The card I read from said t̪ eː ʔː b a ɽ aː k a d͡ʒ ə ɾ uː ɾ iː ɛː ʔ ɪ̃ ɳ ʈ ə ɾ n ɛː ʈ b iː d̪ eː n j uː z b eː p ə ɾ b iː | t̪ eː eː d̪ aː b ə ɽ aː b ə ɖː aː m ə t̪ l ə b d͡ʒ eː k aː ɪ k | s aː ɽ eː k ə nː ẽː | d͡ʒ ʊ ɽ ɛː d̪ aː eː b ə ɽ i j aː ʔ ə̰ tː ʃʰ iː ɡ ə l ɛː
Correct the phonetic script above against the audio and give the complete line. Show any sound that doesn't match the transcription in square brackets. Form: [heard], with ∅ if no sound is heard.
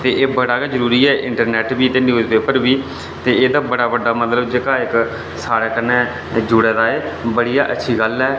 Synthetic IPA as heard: t̪ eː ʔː b [ə] ɽ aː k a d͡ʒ ə ɾ uː ɾ iː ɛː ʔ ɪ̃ ɳ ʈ ə ɾ n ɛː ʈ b iː [t̪] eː n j uː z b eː p ə ɾ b iː | t̪ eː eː d̪ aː b ə ɽ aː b ə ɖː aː m ə t̪ l ə b d͡ʒ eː k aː ɪ k | s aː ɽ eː k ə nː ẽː | d͡ʒ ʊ ɽ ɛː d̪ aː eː b ə ɽ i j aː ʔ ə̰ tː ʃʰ iː ɡ ə l ɛː